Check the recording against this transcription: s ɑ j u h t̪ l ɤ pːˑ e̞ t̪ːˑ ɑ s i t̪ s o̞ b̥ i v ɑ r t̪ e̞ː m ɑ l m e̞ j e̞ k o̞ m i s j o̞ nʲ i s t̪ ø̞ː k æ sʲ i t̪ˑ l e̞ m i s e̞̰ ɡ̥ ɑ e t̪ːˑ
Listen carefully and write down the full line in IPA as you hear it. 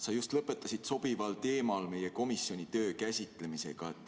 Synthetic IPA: s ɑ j u s t̪ l ɤ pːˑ e̞ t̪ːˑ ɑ s i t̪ s o̞ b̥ i v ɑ l t̪ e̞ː m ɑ l m e̞ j e̞ k o̞ m i s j o̞ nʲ i t̪ ø̞ː k æ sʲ i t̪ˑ l e̞ m i s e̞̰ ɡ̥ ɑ e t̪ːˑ